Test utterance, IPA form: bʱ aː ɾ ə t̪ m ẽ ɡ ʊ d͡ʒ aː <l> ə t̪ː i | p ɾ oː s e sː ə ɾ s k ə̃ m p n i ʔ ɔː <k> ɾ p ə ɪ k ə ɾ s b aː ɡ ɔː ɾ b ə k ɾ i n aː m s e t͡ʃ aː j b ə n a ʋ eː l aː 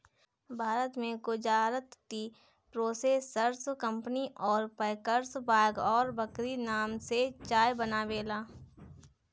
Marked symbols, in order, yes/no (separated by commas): no, no